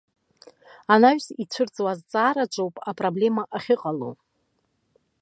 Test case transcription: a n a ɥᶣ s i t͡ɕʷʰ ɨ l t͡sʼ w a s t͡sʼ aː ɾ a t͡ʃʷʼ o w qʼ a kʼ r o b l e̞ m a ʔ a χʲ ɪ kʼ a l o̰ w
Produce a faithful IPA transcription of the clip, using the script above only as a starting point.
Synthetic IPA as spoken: a n a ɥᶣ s i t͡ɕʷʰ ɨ r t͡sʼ w a z t͡sʼ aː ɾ a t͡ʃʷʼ o w pʼ a pʼ r o b l e̞ m a ʔ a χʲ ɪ qʼ a l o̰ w